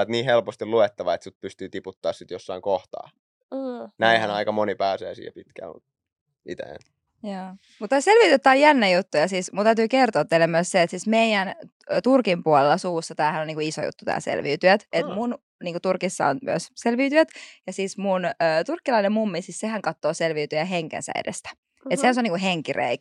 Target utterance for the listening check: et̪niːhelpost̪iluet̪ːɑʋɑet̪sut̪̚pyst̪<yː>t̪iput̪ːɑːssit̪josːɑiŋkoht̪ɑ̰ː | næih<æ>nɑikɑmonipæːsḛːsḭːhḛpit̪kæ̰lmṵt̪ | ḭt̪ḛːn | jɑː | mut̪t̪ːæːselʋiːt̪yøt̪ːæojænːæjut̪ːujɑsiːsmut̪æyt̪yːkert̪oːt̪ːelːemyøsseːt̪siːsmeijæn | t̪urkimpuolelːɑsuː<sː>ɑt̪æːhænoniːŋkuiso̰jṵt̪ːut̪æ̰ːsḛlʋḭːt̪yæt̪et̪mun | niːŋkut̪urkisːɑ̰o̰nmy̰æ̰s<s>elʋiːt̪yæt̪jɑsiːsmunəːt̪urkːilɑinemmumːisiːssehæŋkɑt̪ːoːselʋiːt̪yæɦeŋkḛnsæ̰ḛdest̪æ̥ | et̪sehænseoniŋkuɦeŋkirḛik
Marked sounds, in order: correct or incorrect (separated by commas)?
correct, correct, correct, correct